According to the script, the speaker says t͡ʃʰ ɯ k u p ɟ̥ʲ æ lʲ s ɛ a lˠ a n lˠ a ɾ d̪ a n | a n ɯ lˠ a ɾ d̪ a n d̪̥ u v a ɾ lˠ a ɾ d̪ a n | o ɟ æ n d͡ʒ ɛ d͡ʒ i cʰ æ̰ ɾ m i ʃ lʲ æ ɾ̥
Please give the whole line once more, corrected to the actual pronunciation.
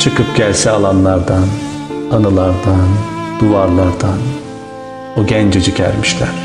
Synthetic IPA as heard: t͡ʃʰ ɯ k ɯ p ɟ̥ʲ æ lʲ s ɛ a lˠ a n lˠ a ɾ d̪ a n | a n ɯ lˠ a ɾ d̪ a n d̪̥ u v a ɾ lˠ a ɾ d̪ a n | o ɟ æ n d͡ʒ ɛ d͡ʒ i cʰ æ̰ ɾ m i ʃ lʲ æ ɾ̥